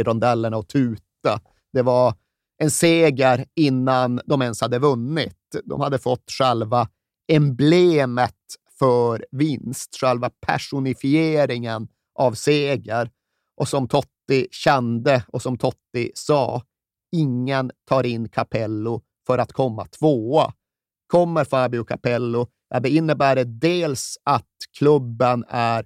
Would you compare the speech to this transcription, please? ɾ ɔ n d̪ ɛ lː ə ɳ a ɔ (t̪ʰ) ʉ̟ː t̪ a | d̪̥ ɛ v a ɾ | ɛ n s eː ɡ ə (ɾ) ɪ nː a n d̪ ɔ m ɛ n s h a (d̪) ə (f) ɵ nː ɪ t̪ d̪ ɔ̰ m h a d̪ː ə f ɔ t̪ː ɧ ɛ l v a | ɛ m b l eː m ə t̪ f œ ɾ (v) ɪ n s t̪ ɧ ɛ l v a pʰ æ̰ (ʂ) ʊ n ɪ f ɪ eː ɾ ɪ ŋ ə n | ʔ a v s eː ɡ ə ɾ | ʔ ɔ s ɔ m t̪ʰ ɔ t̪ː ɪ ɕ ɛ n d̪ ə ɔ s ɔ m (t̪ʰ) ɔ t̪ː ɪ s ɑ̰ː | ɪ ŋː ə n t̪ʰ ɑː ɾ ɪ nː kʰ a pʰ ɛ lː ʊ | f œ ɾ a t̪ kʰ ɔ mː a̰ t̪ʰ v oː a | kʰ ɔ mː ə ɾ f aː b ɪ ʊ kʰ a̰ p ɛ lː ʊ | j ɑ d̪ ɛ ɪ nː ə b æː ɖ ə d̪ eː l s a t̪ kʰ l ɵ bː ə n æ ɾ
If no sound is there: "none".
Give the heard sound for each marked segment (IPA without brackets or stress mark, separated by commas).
t̪ʰ, ɾ, d̪ː, v, v, ʂ, t̪ʰ